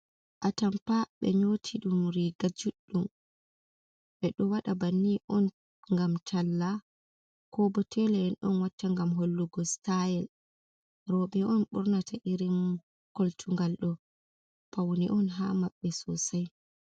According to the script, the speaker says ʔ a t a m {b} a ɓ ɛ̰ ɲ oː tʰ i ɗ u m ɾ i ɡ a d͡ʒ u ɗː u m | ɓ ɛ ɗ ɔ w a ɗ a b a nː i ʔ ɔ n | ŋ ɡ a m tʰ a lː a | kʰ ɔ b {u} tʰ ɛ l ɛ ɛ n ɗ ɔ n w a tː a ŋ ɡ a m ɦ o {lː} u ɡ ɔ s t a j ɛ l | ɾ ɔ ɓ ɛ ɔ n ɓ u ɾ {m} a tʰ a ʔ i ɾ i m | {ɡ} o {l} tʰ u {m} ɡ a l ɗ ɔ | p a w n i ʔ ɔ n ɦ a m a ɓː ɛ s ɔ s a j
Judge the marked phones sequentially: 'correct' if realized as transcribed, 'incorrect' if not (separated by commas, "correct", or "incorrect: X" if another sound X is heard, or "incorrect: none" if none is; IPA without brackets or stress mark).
incorrect: p, incorrect: ɔ, correct, incorrect: n, incorrect: k, correct, incorrect: ŋ